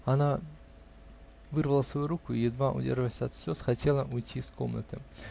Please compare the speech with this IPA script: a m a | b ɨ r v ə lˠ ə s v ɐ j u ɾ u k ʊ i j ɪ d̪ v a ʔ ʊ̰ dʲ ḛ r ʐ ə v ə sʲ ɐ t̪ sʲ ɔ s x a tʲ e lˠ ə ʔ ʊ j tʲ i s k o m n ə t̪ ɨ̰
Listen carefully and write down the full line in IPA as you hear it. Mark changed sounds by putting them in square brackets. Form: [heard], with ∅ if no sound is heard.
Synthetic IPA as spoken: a [n] a | [v] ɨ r v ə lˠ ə s v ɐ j u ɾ u k ʊ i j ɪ d̪ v a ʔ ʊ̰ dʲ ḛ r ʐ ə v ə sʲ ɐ t̪ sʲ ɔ s x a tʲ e lˠ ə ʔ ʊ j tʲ i s k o m n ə t̪ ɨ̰

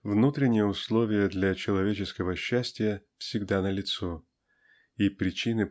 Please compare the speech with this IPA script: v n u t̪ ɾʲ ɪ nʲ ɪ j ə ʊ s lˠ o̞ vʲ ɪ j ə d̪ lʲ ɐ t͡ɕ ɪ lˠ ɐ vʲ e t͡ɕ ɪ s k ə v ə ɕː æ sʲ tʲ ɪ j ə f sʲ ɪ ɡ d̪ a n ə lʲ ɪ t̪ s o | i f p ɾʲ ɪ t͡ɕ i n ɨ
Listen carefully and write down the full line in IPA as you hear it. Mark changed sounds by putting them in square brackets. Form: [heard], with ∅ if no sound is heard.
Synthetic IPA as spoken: v n u t̪ ɾʲ ɪ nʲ ɪ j ə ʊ s lˠ o̞ vʲ ɪ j ə d̪ lʲ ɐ t͡ɕ ɪ lˠ ɐ vʲ e t͡ɕ ɪ s k ə v ə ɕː æ sʲ tʲ ɪ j ə f sʲ ɪ ɡ d̪ a n ə lʲ ɪ t̪ s o | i [∅] p ɾʲ ɪ t͡ɕ i n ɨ

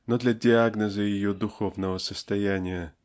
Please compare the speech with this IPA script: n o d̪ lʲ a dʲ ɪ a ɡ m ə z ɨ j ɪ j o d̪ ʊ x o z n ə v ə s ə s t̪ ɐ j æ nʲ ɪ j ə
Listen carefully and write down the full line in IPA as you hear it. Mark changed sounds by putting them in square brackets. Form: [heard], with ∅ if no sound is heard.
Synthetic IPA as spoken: n o d̪ lʲ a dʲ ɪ a ɡ [n] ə z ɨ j ɪ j o d̪ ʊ x o [v] n ə v ə s ə s t̪ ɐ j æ nʲ ɪ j ə

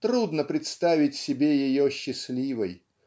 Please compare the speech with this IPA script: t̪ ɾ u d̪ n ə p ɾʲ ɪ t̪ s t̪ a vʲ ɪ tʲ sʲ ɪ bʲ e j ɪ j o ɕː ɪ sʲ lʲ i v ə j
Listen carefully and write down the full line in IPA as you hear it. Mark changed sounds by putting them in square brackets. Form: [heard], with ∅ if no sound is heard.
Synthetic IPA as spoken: t̪ ɾ u d̪ n ə p ɾʲ ɪ t̪ s t̪ a vʲ ɪ tʲ sʲ ɪ bʲ e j ɪ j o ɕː ɪ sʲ lʲ i v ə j

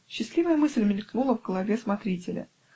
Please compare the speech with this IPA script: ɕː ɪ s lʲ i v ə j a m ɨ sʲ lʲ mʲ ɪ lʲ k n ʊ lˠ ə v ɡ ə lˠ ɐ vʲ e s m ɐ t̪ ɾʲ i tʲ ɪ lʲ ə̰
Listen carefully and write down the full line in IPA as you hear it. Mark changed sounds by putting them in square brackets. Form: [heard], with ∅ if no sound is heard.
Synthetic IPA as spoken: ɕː ɪ s lʲ i v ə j [ə] m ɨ sʲ lʲ mʲ ɪ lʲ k n [u] lˠ ə v ɡ ə lˠ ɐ vʲ e s m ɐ t̪ ɾʲ i tʲ ɪ lʲ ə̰

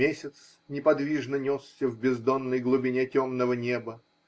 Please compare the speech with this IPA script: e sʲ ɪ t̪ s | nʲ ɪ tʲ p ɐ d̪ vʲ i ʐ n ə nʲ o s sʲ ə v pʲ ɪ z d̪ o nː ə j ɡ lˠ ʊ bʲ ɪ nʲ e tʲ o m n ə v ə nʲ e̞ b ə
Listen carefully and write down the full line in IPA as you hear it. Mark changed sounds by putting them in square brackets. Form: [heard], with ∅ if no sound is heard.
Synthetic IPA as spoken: e sʲ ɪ t̪ s | nʲ ɪ [∅] p ɐ d̪ vʲ i ʐ n ə nʲ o s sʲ ə v [bʲ] ɪ z d̪ o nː ə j ɡ lˠ ʊ bʲ ɪ nʲ e tʲ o m n ə v ə nʲ e̞ b ə

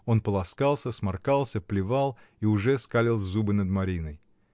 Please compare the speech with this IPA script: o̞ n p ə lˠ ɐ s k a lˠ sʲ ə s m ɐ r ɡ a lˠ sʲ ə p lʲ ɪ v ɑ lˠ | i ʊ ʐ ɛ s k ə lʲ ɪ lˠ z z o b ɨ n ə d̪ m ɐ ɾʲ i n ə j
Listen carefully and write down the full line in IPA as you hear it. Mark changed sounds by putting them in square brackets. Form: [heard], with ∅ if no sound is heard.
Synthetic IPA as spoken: o̞ n p ə lˠ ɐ s k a lˠ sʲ ə s m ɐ r [k] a lˠ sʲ ə p lʲ ɪ v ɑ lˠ | i ʊ ʐ ɛ s k [a] lʲ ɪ lˠ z z [u] b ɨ n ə d̪ m ɐ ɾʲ i n ə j

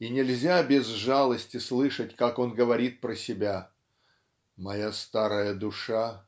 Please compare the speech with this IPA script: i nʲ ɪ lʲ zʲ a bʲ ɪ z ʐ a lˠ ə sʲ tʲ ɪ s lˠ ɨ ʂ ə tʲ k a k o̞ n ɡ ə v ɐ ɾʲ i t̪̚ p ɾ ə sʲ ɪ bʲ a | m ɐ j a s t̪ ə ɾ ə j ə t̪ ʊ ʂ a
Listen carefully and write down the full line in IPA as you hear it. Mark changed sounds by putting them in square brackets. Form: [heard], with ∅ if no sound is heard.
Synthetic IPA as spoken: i nʲ ɪ lʲ zʲ a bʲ ɪ z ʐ a lˠ ə sʲ tʲ ɪ s lˠ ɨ ʂ ə tʲ k a k o̞ n ɡ ə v ɐ ɾʲ i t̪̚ p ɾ ə sʲ ɪ bʲ a | m ɐ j a s t̪ [a] ɾ ə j ə [d̪] ʊ ʂ a

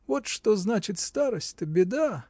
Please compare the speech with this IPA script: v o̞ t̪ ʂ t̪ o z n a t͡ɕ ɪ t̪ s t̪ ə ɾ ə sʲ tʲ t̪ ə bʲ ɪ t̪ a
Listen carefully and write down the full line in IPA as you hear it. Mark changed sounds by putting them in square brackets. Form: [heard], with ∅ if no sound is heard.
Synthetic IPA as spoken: v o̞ t̪ ʂ t̪ o z n a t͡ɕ ɪ t̪ s t̪ [a] ɾ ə sʲ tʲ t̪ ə bʲ ɪ [d̪] a

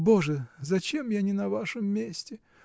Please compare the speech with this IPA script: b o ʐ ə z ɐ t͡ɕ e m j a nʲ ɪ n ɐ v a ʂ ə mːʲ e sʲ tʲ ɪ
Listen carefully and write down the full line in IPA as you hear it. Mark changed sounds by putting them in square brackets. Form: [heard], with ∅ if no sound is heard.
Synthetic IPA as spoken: b o ʐ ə z ɐ t͡ɕ e m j a nʲ ɪ n ɐ v a ʂ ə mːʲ e sʲ tʲ ɪ

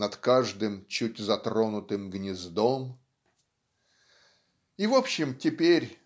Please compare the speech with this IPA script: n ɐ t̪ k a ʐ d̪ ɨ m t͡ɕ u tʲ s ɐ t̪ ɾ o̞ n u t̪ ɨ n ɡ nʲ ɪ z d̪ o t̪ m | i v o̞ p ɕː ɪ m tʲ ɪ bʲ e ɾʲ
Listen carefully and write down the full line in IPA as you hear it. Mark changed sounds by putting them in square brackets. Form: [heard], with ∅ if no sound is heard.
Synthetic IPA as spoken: n ɐ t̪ k a ʐ d̪ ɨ m t͡ɕ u tʲ [z] ɐ t̪ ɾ o̞ n [ʊ] t̪ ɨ [m] ɡ nʲ ɪ z d̪ o [∅] m | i v o̞ p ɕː ɪ m tʲ ɪ [pʲ] e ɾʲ

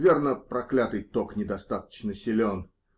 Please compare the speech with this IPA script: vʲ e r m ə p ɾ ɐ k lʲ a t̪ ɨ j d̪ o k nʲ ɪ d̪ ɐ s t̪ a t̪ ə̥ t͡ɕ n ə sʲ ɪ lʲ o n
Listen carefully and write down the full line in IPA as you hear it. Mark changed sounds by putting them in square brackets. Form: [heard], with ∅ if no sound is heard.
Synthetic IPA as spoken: vʲ e r [n] ə p ɾ ɐ k lʲ a t̪ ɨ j [t̪] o k nʲ ɪ d̪ ɐ s t̪ a t̪ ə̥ t͡ɕ n ə sʲ ɪ lʲ o n

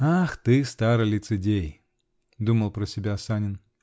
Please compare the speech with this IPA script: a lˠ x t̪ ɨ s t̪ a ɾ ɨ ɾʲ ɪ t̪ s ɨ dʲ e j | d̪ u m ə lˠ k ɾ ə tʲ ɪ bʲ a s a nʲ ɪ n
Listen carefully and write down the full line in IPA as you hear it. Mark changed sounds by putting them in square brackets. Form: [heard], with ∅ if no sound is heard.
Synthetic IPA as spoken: a [∅] x t̪ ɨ s t̪ a ɾ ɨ [lʲ] ɪ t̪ s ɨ dʲ e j | d̪ u m ə lˠ [p] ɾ ə [sʲ] ɪ bʲ a s a nʲ ɪ n

